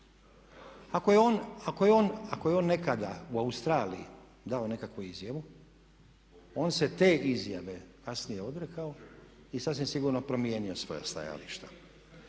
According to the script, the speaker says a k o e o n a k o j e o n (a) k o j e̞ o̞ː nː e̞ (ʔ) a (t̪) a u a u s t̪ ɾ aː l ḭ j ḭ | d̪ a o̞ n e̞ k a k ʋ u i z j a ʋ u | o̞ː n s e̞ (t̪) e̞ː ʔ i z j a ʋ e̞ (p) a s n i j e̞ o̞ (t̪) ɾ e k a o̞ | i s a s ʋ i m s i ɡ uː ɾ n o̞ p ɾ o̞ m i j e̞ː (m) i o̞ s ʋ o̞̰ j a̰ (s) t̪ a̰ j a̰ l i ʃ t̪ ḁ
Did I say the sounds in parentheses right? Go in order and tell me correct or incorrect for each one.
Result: correct, incorrect: k, incorrect: d̪, correct, incorrect: k, incorrect: d̪, incorrect: n, correct

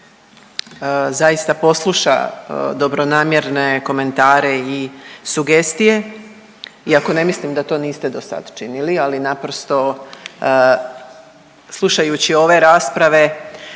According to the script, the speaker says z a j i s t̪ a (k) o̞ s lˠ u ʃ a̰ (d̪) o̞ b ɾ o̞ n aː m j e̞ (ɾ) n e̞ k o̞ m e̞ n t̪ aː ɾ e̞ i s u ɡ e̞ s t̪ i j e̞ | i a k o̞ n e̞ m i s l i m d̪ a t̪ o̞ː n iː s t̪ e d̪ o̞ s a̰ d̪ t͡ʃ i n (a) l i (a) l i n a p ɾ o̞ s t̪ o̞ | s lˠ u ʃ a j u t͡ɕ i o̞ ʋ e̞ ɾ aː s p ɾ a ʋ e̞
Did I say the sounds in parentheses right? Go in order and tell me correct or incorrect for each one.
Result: incorrect: p, correct, correct, incorrect: i, correct

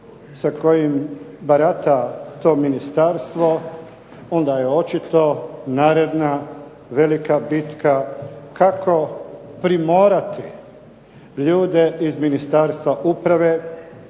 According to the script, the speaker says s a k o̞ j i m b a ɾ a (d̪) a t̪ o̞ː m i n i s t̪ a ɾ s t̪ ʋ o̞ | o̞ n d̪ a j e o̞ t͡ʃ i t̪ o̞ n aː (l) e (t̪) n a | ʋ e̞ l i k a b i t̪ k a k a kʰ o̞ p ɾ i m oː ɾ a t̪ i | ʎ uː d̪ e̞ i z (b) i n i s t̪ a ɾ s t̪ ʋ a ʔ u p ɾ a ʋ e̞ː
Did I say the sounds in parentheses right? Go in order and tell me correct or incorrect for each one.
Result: incorrect: t̪, incorrect: ɾ, incorrect: d̪, incorrect: m

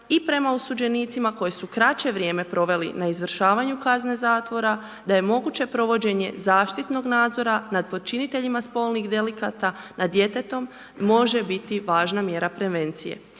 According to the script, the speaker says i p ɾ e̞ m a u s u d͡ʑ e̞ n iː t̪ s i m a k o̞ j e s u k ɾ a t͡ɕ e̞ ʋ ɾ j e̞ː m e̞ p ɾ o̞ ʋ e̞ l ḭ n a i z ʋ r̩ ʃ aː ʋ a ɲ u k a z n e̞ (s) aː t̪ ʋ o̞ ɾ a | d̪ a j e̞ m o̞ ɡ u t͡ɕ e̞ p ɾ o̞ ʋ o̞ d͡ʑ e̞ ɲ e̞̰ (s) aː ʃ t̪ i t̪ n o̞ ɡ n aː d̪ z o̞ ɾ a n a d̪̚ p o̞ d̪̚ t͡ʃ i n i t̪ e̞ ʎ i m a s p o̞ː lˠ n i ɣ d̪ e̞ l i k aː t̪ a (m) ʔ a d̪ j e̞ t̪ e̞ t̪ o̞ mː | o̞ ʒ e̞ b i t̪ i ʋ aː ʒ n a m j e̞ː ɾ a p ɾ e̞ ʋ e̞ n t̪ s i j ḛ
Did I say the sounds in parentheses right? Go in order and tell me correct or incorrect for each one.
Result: incorrect: z, incorrect: z, incorrect: n

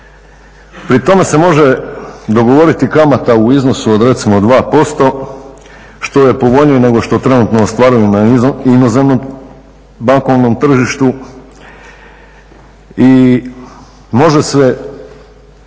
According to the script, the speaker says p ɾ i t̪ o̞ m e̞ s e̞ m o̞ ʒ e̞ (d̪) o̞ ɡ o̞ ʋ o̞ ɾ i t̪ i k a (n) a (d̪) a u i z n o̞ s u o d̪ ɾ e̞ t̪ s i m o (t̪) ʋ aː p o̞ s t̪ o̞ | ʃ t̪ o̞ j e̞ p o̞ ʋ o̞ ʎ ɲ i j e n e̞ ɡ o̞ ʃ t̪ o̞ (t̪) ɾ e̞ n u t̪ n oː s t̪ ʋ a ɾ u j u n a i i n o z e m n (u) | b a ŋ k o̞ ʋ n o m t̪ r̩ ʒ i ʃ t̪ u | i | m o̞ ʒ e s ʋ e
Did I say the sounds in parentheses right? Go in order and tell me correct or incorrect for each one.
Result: correct, incorrect: m, incorrect: t̪, incorrect: d̪, correct, incorrect: o

